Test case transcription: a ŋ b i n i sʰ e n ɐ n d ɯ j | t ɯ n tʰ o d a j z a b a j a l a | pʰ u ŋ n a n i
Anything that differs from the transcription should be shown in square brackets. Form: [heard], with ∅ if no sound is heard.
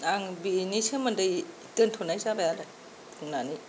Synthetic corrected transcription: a ŋ b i n i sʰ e [m] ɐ n d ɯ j | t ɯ n tʰ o [n] a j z a b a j a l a | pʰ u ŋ n a n i

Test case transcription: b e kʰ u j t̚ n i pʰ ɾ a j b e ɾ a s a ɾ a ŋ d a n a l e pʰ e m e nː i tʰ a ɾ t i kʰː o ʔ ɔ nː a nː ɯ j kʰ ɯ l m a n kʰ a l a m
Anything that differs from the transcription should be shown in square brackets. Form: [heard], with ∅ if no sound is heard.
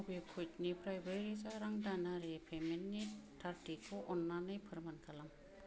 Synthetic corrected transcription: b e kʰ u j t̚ n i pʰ ɾ a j b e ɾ [i] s a ɾ a ŋ d a n a [ɾ] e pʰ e m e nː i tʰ a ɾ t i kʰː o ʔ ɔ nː a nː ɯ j [pʰ] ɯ [ɾ] m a n kʰ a l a m

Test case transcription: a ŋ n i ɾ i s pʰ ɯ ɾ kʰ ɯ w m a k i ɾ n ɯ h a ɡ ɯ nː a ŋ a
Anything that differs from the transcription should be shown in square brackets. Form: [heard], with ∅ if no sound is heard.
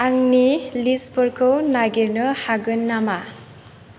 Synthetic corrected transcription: a ŋ n i [l] i s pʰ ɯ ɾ kʰ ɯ w [n] a [ɡ] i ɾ n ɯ h a ɡ ɯ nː a [m] a

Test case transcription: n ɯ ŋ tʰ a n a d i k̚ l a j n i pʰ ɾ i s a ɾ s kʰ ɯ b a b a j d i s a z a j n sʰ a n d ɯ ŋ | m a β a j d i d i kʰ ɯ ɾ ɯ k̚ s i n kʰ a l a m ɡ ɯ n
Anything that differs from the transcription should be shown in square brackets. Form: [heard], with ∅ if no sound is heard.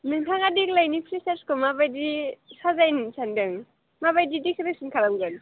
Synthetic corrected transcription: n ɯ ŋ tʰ a [ŋ] a d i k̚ l a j n i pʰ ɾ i s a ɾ s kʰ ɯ [m] a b a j d i s a z a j n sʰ a n d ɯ ŋ | m a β a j d i d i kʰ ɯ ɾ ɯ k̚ s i n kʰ a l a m ɡ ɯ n

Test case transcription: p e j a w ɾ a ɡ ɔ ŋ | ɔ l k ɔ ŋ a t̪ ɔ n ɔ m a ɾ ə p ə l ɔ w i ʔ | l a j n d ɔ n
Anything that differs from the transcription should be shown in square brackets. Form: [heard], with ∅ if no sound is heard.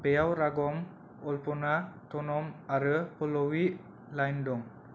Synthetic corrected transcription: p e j a w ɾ a ɡ ɔ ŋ | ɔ l [p] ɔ [n] a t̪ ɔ n ɔ m a ɾ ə p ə l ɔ w i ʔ | l a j n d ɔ [ŋ]

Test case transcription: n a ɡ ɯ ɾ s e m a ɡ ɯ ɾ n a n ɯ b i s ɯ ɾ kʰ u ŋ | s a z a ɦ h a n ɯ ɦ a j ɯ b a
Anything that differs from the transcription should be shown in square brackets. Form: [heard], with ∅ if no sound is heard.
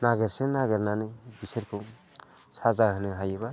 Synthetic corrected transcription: n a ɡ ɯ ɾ s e [n] a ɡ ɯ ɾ n a n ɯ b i s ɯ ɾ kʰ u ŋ | s a z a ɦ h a n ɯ ɦ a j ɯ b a

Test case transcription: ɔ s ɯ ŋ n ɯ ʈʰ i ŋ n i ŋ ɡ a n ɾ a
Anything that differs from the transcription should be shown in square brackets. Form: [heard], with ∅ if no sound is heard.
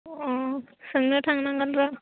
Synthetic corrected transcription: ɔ s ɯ ŋ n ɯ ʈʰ [a] ŋ n [a] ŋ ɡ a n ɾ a

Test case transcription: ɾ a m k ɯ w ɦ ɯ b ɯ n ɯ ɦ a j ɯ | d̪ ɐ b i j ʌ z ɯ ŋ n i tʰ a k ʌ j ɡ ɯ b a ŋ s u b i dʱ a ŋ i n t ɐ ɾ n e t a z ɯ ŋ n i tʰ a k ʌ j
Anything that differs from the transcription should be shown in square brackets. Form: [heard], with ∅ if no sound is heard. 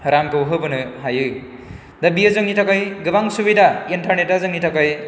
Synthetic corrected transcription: ɾ a m k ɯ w ɦ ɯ b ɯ n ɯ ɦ a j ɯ | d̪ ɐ b i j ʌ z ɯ ŋ n i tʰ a k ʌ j ɡ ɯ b a ŋ s u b i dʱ a [∅] i n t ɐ ɾ n e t a z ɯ ŋ n i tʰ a k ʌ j

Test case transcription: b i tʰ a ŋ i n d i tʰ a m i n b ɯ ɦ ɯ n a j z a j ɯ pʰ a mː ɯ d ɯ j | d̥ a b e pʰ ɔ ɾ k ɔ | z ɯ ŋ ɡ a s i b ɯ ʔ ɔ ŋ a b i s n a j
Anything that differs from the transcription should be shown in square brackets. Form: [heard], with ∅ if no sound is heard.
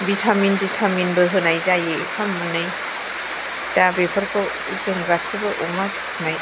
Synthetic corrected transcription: b i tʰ a [m] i n d i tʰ a m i n b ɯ ɦ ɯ n a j z a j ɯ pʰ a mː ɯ [n] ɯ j | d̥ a b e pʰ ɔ ɾ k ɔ | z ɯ ŋ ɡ a s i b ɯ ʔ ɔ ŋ a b i s n a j

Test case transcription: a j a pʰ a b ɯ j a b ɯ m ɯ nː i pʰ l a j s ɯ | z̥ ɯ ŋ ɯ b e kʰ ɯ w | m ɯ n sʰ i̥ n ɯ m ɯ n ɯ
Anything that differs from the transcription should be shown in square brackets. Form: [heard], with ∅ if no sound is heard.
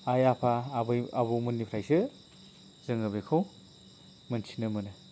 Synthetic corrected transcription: a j a pʰ a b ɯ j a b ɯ m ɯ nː i pʰ [ɾ] a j s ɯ | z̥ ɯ ŋ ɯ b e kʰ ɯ w | m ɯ n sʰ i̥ n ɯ m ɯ n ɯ

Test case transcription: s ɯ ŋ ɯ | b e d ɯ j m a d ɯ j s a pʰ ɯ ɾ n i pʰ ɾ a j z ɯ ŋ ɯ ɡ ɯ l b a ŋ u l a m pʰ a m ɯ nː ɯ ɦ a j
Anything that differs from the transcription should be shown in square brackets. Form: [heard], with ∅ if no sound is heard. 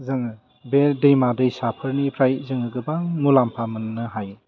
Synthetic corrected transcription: [z] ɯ ŋ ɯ | b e d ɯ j m a d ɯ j s a pʰ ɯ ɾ n i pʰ ɾ a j z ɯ ŋ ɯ ɡ ɯ [∅] b a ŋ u l a m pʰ a m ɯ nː ɯ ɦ a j

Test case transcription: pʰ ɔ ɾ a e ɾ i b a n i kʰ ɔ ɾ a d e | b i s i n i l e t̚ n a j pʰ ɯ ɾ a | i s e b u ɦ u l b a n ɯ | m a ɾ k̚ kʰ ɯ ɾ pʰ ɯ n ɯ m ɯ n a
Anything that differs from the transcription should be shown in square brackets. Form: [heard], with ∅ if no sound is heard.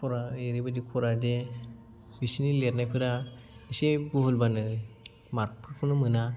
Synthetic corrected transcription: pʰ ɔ ɾ a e ɾ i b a [d] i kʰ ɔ ɾ a d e | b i s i n i l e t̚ n a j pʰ ɯ ɾ a | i s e b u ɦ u l b a n ɯ | m a ɾ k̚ [pʰ] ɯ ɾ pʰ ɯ n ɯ m ɯ n a

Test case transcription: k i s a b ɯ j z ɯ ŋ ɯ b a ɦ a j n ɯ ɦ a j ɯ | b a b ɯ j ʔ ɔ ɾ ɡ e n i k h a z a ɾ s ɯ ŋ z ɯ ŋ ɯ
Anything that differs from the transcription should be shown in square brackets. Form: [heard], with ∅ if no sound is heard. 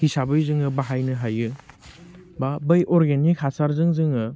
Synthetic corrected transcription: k i s a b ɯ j z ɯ ŋ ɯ b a ɦ a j n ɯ ɦ a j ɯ | b a b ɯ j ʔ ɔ ɾ ɡ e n i k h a [s] a ɾ [z] ɯ ŋ z ɯ ŋ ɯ

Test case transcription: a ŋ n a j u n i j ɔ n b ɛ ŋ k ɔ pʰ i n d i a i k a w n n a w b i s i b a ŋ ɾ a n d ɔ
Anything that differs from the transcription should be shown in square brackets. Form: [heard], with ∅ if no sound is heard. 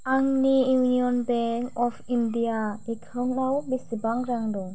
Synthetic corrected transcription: a ŋ n [i] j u n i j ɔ n b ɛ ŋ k ɔ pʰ i n d i a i [kʰ] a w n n a w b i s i b a ŋ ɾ a [ŋ] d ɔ

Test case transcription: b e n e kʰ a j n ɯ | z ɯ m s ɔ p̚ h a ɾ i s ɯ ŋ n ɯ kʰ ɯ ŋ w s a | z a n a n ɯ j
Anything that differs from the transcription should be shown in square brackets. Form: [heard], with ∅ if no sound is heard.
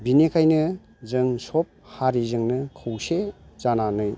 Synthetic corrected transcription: b [i] n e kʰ a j n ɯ | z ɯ [ŋ] s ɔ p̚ h a ɾ i [z] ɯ ŋ n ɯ kʰ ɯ [∅] w s [e] | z a n a n ɯ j

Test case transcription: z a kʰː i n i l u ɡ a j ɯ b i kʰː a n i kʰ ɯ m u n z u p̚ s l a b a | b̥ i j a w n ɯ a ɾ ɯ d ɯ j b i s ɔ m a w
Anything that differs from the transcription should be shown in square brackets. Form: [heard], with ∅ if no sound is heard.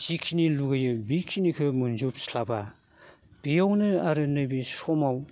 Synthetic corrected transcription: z [i] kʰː i n i l u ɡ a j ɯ b i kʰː [i] n i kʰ ɯ m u n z u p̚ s l a b a | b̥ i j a w n ɯ a ɾ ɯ [n] ɯ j b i s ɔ m a w

